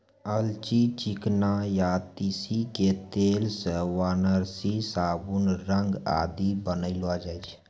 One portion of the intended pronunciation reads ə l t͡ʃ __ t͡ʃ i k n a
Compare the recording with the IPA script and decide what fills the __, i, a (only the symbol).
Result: i